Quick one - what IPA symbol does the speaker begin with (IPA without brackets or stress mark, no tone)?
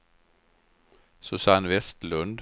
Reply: s